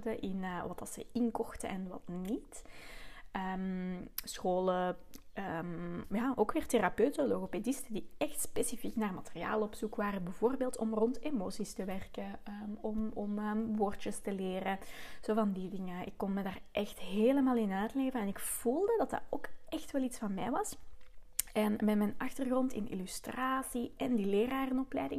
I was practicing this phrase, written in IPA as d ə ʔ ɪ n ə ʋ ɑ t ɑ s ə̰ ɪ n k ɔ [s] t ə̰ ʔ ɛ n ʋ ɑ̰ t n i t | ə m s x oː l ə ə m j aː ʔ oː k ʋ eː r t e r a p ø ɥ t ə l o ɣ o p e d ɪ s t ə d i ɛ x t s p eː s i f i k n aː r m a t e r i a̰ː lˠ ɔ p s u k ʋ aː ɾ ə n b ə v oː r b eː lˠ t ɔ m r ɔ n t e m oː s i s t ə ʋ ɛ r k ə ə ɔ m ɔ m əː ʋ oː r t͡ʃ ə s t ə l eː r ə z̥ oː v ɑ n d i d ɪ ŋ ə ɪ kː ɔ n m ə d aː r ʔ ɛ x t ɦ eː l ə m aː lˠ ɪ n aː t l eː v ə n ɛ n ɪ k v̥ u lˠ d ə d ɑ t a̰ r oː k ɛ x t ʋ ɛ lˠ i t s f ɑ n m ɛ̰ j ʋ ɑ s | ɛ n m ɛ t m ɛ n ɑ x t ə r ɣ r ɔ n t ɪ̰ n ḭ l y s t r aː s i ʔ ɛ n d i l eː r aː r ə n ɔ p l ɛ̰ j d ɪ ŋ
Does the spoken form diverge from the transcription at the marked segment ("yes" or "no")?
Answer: yes